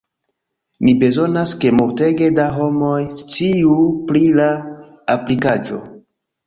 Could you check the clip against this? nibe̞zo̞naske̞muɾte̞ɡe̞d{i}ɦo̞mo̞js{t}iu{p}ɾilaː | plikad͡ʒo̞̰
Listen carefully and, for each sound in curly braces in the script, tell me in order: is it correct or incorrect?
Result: incorrect: a, incorrect: t͡s, correct

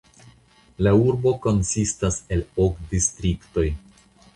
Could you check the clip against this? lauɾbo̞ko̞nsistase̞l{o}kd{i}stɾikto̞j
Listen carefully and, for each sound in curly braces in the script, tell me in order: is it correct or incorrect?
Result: correct, correct

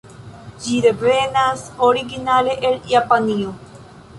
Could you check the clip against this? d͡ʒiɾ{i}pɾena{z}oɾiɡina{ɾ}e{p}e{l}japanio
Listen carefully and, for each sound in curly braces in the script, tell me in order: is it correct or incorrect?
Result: incorrect: e, incorrect: s, incorrect: l, incorrect: ʔ, correct

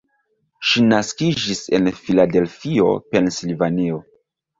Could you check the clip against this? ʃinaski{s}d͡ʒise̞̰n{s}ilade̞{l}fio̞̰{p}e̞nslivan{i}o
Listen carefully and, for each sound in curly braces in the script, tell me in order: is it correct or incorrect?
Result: incorrect: none, incorrect: f, correct, correct, correct

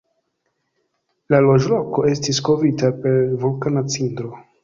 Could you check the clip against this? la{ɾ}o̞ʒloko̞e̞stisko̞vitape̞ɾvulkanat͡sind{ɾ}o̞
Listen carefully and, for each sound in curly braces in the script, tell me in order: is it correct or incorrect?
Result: incorrect: l, correct

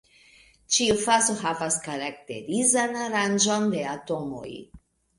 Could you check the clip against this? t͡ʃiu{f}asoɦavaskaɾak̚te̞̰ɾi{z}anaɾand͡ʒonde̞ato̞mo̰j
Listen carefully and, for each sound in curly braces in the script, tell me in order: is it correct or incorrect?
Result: correct, correct

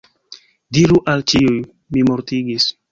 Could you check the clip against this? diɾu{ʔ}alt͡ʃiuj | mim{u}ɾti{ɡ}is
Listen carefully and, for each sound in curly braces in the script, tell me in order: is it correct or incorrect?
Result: correct, incorrect: o, correct

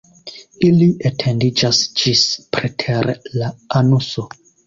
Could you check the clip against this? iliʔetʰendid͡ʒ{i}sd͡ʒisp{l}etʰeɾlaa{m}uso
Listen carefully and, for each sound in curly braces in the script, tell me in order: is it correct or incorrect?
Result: incorrect: a, incorrect: ɾ, incorrect: n

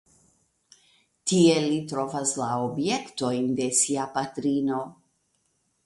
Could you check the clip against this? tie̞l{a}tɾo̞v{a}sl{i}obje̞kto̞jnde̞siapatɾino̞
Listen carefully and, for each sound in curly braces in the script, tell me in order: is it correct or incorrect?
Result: incorrect: i, correct, incorrect: a

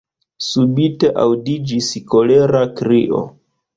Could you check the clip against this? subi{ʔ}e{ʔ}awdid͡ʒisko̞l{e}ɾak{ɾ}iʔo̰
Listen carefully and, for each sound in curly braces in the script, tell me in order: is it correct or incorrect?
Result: incorrect: t, correct, correct, correct

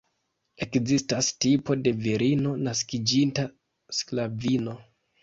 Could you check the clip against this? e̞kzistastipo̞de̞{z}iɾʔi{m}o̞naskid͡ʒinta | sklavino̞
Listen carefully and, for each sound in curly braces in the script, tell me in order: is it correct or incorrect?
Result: incorrect: v, incorrect: n

